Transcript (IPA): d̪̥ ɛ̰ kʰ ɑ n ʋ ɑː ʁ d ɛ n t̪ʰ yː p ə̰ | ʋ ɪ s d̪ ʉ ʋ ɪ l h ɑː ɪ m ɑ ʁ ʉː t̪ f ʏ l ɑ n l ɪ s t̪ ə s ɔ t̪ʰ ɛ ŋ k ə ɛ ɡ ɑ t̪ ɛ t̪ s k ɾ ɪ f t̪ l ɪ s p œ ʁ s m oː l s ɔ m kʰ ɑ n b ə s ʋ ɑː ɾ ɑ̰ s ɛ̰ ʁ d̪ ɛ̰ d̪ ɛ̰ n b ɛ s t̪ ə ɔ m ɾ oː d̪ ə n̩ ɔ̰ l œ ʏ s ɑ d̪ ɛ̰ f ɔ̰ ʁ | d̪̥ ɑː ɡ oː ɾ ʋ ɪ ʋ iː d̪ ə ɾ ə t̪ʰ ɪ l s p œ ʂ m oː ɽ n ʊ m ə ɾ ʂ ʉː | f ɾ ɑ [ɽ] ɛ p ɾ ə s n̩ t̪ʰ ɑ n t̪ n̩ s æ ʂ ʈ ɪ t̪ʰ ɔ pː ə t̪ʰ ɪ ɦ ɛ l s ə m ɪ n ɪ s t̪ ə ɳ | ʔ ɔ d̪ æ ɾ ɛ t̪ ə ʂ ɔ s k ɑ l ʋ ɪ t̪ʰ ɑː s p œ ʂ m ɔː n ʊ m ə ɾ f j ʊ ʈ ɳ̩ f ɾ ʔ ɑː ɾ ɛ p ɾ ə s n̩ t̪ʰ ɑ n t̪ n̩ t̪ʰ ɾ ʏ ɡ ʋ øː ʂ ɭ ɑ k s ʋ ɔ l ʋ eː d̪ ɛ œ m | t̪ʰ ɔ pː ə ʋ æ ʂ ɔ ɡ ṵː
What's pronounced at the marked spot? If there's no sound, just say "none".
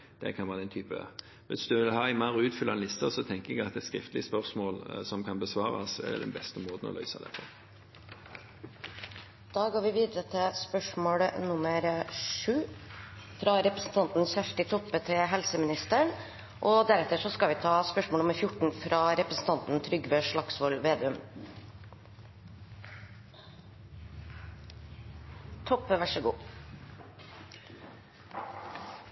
ɾ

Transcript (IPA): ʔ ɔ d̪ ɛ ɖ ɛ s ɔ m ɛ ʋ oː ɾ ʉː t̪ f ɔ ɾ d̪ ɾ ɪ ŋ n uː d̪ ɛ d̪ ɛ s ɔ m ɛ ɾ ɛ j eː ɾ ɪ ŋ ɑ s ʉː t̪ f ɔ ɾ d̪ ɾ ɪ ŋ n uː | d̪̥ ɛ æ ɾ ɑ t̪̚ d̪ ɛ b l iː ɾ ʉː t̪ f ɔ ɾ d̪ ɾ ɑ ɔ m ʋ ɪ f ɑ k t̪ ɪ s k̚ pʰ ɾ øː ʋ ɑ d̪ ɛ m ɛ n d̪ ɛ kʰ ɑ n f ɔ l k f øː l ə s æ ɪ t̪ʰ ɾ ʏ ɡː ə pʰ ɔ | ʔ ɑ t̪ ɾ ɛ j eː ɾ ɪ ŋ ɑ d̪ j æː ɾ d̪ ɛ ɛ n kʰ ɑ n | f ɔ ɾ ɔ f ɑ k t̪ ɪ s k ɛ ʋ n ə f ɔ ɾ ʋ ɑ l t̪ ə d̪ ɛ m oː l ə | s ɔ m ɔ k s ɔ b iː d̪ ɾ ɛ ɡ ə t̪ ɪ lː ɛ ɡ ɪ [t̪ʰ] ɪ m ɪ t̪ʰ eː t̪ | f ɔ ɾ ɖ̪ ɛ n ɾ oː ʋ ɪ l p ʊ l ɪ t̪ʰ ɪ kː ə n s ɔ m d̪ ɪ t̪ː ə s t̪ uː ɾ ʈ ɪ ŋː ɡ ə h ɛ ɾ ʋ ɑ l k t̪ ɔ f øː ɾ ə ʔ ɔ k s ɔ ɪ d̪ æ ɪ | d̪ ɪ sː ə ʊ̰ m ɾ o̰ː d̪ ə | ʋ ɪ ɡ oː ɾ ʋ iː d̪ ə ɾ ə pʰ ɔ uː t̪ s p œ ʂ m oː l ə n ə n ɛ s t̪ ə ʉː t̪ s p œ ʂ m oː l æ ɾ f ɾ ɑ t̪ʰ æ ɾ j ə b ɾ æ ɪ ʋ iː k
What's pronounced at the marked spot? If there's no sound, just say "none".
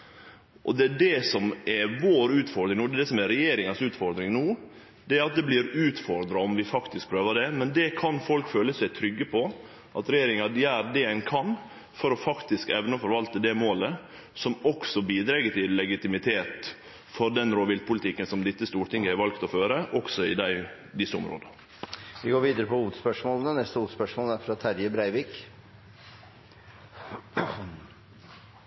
t̪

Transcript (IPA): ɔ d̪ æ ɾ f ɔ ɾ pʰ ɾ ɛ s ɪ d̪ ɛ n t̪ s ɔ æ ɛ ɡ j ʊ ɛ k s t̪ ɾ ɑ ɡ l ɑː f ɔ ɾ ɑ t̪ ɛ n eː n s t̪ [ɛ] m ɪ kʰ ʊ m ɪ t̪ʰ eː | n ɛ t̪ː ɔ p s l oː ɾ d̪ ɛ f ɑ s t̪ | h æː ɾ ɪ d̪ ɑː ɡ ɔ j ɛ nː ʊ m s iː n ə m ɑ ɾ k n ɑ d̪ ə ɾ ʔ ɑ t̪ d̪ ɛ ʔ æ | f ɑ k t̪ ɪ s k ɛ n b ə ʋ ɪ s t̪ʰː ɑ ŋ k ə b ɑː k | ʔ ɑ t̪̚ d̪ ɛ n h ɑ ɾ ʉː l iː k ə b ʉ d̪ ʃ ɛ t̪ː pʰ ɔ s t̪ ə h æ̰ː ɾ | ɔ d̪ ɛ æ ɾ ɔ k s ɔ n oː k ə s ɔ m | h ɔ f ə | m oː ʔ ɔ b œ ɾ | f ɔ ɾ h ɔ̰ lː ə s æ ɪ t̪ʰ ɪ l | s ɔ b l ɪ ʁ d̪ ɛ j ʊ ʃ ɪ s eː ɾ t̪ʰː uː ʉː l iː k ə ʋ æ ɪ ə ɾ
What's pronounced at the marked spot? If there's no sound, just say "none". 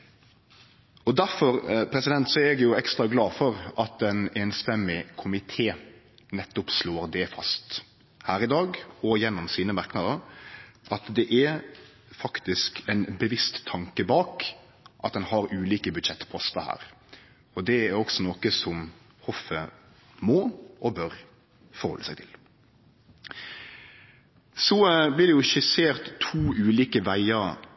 ɛ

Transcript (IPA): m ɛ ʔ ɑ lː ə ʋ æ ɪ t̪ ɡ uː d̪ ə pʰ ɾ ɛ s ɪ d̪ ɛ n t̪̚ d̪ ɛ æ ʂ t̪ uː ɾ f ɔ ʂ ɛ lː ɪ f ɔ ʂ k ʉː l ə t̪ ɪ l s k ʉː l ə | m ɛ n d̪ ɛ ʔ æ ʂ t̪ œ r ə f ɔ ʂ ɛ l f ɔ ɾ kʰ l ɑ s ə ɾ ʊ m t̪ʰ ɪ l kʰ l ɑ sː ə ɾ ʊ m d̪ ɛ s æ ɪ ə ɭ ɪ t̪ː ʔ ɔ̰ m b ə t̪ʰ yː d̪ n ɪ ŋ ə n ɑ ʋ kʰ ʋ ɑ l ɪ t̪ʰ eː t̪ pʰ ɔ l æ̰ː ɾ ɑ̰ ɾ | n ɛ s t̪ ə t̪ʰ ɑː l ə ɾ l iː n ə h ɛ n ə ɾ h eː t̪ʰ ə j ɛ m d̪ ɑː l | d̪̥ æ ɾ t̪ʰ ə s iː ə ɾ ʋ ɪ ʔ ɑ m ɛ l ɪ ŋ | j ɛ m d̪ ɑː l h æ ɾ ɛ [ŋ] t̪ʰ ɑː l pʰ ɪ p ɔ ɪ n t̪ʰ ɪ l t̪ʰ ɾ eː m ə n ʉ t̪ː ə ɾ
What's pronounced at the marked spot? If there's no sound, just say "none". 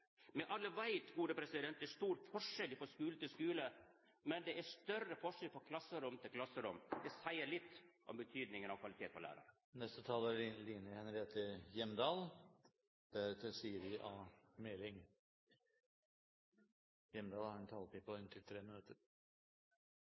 n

